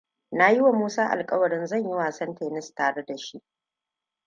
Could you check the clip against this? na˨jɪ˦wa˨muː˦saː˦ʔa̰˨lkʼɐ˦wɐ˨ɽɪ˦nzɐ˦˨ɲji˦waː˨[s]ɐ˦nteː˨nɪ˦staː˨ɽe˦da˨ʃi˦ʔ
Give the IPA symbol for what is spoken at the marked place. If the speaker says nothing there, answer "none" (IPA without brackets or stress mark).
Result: s